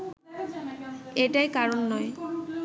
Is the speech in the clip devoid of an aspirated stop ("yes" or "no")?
yes